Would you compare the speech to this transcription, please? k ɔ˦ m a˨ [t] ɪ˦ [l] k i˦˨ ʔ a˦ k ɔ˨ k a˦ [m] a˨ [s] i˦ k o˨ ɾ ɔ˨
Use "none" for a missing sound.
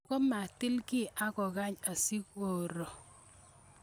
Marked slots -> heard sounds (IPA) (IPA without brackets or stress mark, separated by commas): t, l, ɲ, s